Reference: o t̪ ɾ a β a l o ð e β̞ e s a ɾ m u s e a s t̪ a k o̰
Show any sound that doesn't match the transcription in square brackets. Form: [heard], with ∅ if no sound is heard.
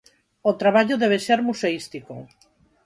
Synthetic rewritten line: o t̪ ɾ a β a [ʎ] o ð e β̞ e s [e] ɾ m u s e [i] s t̪ [i] k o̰